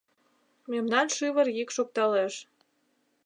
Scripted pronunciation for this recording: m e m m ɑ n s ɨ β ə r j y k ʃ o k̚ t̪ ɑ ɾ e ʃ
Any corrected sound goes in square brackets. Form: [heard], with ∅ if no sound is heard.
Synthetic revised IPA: m e m [n] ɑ n [ʃ] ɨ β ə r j [i] k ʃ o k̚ t̪ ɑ [l] e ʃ